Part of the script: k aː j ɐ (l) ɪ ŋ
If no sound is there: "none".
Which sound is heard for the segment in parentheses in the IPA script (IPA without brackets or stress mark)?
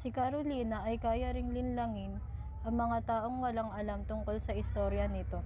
ɾ